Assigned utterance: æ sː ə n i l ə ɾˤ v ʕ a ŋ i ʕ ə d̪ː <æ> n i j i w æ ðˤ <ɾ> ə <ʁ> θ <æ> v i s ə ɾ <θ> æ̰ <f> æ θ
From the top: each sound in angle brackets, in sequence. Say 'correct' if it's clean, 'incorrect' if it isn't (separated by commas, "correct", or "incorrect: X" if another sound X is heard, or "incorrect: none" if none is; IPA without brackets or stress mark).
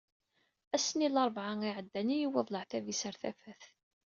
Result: correct, incorrect: l, incorrect: ʕ, correct, correct, correct